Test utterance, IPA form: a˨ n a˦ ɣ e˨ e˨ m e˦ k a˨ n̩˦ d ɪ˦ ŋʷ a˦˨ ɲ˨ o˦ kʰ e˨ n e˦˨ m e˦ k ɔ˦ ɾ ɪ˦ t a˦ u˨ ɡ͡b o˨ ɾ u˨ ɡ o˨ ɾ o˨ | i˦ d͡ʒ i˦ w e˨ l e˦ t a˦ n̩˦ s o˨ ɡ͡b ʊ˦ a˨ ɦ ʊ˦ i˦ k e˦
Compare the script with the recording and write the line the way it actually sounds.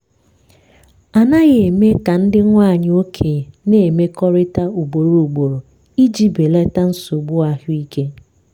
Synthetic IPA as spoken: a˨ n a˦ ɣ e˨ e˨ m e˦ k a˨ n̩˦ d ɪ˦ ŋʷ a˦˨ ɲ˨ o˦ kʰ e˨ n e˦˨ m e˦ k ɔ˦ ɾ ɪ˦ t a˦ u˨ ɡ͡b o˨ ɾ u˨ ɡ͡b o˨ ɾ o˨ | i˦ d͡ʒ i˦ b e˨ l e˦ t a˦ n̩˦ s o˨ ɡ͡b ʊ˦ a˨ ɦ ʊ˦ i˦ k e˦

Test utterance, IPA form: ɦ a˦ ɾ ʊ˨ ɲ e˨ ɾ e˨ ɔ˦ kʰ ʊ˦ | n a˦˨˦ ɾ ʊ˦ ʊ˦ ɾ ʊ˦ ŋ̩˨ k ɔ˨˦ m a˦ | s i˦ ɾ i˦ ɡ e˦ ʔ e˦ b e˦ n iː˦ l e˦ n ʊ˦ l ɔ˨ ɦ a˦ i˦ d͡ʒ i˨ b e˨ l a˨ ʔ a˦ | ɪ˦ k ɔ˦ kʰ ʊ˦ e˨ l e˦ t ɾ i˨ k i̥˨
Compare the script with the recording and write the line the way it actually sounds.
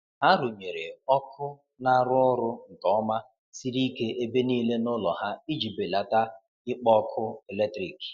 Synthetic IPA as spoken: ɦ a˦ ɾ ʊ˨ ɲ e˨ ɾ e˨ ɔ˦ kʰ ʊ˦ | n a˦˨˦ ɾ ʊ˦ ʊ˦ ɾ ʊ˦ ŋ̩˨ k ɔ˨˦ m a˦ | s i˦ ɾ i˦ k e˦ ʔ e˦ b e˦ n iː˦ l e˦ n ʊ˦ l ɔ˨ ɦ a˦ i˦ d͡ʒ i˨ b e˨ l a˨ t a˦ | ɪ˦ k͡p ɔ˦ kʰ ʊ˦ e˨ l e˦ t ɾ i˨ k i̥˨

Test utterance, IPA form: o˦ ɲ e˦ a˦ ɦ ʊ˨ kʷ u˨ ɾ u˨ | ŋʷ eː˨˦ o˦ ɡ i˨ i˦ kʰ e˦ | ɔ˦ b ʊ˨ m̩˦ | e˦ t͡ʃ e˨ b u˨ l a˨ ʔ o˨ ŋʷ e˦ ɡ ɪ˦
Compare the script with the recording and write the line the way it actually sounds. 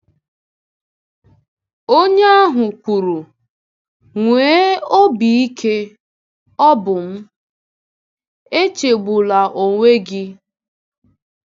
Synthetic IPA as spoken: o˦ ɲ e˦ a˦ ɦ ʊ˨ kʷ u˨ ɾ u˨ | ŋʷ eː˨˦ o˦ b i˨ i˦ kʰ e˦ | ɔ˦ b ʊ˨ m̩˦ | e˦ t͡ʃ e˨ ɡ͡b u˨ l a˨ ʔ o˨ ŋʷ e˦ ɡ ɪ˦

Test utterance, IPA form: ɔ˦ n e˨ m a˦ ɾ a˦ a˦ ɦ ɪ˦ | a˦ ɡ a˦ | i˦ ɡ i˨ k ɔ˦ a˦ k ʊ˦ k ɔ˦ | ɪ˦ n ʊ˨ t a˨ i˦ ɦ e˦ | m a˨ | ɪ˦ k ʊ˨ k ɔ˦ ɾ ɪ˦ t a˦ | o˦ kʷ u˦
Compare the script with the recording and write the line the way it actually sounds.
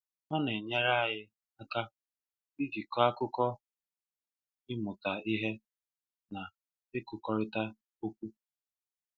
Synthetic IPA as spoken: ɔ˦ n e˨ ɲ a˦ ɾ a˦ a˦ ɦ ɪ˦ | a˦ k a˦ | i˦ ɡ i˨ k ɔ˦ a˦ k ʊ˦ k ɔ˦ | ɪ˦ m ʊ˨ t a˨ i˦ ɦ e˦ | n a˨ | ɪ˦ k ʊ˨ k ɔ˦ ɾ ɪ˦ t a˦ | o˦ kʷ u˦

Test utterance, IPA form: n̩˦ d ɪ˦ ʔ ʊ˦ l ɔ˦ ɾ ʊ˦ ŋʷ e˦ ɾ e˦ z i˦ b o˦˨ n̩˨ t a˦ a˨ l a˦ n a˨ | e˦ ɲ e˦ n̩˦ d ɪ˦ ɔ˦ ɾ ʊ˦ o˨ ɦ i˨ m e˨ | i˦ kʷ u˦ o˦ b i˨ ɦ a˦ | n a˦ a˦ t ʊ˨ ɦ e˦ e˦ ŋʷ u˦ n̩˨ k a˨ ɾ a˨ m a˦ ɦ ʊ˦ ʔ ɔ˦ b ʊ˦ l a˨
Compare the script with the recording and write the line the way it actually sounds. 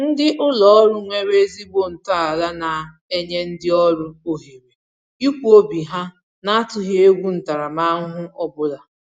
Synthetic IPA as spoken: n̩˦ d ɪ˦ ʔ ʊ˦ l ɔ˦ ɾ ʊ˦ ŋʷ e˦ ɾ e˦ z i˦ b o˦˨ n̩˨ t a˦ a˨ l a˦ n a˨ | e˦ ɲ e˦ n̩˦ d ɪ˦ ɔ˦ ɾ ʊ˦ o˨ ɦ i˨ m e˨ | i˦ kʷ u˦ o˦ b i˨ ɦ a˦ | n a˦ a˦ t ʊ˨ ɦ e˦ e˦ ɡʷ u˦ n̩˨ t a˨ ɾ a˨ m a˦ ɦ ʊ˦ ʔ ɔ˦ b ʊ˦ l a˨

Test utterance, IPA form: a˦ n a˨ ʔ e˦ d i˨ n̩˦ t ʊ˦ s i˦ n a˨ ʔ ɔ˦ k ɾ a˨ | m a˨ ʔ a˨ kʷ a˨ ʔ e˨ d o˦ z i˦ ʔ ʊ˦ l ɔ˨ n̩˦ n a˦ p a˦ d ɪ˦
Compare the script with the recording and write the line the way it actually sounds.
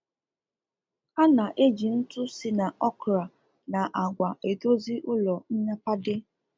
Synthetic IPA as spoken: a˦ n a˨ ʔ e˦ d͡ʒ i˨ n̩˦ t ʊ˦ s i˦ n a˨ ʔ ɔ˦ k ɾ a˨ | n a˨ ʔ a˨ ɡʷ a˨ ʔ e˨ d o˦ z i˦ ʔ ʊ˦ l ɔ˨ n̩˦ ɲ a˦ p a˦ d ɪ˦

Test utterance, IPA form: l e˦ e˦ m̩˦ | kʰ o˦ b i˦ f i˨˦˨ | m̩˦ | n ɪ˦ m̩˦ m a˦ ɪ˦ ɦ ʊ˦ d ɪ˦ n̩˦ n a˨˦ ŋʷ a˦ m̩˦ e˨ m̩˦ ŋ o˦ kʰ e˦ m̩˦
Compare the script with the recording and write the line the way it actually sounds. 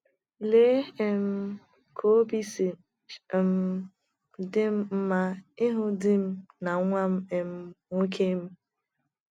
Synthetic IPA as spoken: l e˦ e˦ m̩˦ | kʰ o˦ b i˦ s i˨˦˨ | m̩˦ | d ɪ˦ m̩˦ m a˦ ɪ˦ ɦ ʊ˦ d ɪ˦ m̩˦ n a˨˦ ŋʷ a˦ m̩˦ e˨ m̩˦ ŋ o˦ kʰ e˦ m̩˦

